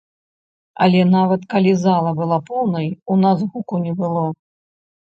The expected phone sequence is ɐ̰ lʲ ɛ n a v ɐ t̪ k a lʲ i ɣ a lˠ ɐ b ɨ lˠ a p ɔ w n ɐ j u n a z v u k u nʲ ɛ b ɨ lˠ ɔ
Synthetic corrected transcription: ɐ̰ lʲ ɛ n a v ɐ t̪ k a lʲ i z a lˠ ɐ b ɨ lˠ a p ɔ w n ɐ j u n a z ɣ u k u nʲ ɛ b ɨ lˠ ɔ